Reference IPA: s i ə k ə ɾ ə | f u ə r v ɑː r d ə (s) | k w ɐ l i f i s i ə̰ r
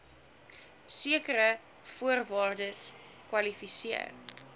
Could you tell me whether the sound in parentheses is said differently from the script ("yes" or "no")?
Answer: no